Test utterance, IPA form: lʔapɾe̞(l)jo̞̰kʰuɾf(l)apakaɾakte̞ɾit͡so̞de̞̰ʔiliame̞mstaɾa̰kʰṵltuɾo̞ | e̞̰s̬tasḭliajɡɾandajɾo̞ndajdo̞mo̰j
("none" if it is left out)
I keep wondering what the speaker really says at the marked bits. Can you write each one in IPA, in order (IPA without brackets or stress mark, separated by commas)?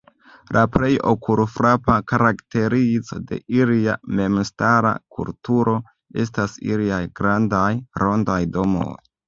none, ɾ